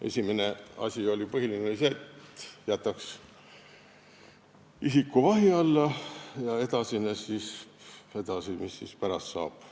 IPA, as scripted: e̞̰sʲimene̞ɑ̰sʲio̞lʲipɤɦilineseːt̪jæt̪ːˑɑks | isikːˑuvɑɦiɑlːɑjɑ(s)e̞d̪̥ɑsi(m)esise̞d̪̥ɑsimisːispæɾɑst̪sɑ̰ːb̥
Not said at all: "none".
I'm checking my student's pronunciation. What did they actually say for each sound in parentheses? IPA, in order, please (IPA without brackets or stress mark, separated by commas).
none, n